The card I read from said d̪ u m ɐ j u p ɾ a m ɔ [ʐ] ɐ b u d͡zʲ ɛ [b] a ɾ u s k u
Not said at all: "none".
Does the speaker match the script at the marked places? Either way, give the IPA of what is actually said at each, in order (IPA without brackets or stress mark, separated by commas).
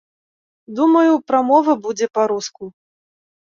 v, p